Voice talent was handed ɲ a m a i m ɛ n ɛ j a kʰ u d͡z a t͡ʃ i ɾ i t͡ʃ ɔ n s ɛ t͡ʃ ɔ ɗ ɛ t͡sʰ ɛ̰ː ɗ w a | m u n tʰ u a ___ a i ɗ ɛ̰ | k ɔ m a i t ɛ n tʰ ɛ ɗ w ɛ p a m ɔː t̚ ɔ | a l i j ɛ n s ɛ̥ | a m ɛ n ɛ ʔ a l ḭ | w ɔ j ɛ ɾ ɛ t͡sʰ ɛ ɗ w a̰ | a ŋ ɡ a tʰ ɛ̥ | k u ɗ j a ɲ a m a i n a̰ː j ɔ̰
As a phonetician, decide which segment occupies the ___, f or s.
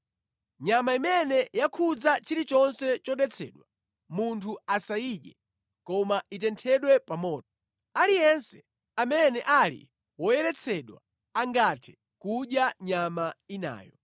s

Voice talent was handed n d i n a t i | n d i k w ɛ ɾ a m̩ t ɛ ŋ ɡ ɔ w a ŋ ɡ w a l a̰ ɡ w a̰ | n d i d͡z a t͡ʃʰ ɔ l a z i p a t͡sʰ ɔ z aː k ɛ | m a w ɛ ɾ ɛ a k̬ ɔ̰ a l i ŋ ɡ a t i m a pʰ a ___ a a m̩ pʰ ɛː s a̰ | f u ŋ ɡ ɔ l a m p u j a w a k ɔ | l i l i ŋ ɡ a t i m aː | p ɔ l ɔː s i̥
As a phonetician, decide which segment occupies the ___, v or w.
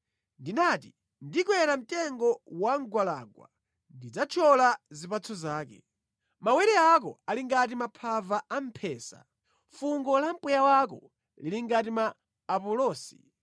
v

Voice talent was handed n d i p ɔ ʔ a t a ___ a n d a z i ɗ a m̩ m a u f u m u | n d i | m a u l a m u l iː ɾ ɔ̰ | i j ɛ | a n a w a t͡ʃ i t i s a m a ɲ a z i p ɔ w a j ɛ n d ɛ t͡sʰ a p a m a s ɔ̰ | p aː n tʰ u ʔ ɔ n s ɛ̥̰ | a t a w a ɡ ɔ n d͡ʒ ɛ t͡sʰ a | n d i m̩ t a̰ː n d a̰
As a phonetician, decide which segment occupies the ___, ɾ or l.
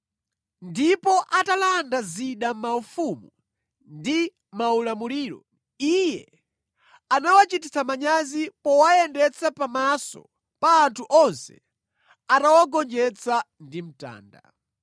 l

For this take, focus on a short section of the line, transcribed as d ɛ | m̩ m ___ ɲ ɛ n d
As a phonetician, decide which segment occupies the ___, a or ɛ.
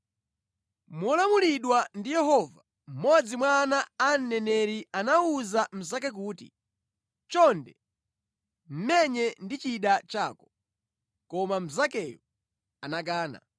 ɛ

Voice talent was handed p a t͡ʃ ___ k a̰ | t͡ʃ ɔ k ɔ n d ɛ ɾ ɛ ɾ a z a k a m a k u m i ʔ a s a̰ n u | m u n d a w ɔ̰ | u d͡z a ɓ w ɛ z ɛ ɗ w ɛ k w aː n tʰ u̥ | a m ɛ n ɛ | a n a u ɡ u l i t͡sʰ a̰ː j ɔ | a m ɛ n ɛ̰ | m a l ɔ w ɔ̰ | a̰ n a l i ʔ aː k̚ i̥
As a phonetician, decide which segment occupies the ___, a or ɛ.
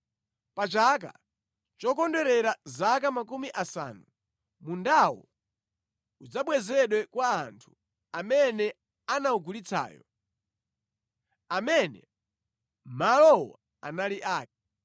a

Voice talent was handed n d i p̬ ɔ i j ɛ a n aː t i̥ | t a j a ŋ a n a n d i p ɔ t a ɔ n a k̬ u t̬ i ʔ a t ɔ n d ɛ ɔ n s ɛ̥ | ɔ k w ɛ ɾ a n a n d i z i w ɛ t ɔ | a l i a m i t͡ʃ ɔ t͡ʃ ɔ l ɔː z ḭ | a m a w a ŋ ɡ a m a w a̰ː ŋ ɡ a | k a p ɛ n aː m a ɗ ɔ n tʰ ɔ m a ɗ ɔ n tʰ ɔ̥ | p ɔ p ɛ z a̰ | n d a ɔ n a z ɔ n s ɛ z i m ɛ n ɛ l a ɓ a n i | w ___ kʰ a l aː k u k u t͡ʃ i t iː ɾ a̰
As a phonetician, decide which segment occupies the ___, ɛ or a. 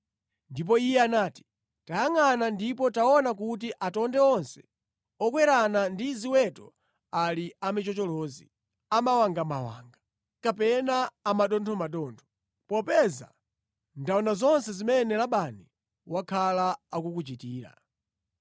a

